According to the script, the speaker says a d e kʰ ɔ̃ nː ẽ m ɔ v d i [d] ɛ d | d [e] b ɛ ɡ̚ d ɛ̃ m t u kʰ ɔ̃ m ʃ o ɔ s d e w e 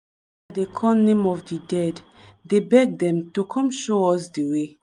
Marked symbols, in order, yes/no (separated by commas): yes, yes